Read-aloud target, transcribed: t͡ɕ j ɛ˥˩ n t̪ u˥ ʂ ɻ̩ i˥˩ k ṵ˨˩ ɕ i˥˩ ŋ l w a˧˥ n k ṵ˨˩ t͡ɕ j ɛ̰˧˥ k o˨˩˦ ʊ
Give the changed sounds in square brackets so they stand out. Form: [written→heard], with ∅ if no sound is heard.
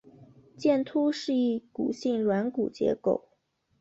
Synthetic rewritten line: t͡ɕ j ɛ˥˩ n [t̪→t̪ʰ] u˥ ʂ ɻ̩ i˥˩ k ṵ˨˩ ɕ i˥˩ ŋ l w a˧˥ n k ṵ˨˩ t͡ɕ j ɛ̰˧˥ k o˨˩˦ ʊ